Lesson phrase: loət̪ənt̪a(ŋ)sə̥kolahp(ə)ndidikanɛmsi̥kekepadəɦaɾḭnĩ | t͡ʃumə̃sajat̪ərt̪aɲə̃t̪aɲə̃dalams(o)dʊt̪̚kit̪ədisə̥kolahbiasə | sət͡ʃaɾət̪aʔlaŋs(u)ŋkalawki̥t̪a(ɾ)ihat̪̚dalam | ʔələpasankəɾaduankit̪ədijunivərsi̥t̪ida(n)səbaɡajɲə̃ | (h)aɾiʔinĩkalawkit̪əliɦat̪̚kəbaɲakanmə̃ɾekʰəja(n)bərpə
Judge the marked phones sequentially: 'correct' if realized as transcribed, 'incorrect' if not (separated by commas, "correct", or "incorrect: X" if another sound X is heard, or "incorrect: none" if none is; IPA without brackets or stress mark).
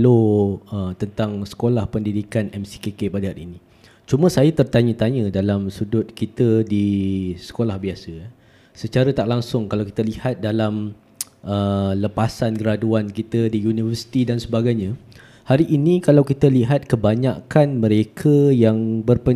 correct, correct, incorrect: u, incorrect: ʊ, incorrect: l, correct, correct, incorrect: ŋ